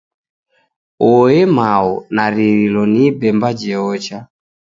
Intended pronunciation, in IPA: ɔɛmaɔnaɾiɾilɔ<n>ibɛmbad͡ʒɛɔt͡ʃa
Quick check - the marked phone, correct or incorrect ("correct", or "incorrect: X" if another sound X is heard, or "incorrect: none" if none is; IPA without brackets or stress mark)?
correct